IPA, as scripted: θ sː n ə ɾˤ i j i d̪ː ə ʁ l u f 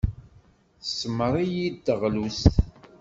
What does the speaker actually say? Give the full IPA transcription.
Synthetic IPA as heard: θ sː m ə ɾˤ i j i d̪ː ə ʁ l u s